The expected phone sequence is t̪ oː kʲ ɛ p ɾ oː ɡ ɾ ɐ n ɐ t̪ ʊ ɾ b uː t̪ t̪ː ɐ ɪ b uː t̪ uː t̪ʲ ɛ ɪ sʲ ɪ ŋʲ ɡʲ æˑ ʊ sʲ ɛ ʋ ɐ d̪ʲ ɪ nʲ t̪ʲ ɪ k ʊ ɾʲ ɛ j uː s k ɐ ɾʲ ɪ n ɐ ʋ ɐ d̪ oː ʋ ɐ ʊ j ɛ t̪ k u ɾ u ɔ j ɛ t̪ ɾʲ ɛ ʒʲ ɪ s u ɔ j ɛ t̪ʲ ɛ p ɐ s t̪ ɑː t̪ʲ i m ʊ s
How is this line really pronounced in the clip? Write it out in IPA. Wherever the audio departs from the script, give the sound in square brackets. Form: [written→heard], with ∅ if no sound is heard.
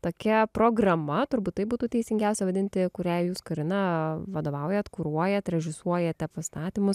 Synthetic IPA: t̪ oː kʲ ɛ p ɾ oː ɡ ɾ ɐ [n→m] ɐ t̪ ʊ ɾ b uː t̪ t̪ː ɐ ɪ b uː t̪ uː t̪ʲ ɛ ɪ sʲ ɪ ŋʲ ɡʲ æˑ ʊ sʲ ɛ ʋ ɐ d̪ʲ ɪ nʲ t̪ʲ ɪ k ʊ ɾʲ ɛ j uː s k ɐ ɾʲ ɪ n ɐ ʋ ɐ d̪ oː ʋ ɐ ʊ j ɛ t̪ k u ɾ u ɔ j ɛ t̪ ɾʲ ɛ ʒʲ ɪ s u ɔ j ɛ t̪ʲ ɛ p ɐ s t̪ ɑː t̪ʲ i m ʊ s